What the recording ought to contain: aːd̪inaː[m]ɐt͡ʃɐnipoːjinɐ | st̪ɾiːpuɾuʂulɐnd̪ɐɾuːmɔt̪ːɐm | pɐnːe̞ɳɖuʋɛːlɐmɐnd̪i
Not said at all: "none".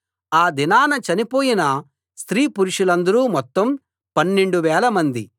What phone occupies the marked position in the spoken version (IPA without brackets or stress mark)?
n